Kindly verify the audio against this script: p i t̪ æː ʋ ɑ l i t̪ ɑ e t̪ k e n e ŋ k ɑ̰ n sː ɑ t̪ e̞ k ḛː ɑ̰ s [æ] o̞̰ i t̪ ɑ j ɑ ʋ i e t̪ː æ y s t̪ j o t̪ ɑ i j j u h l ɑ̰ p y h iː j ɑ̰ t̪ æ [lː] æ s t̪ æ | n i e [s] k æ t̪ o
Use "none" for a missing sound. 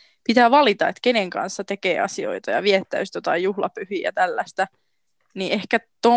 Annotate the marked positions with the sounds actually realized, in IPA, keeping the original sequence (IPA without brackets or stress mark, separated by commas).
i, lː, h